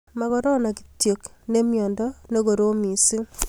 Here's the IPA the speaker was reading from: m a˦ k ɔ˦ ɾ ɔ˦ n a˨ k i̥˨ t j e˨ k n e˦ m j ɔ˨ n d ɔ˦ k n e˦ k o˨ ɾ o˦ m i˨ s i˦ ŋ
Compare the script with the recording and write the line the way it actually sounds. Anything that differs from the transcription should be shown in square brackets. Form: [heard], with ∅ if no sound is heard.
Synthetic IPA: m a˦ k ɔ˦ ɾ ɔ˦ n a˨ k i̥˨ t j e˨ k n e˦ m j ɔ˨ n d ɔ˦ [∅] n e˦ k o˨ ɾ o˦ m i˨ s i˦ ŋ